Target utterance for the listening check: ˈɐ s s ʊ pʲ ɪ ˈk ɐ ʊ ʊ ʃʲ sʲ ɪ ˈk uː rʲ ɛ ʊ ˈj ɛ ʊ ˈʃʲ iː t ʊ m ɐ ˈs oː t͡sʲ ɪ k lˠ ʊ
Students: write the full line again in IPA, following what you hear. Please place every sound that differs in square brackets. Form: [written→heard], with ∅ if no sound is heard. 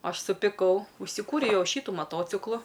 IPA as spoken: ˈɐ [s→ʃ] s ʊ pʲ ɪ ˈk ɐ ʊ ʊ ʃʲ sʲ ɪ ˈk uː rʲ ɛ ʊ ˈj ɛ ʊ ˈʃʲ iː t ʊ m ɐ [ˈs→ˈt] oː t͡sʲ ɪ k lˠ ʊ